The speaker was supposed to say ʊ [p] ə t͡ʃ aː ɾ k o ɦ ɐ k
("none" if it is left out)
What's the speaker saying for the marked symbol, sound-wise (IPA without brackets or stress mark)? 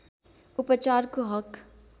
p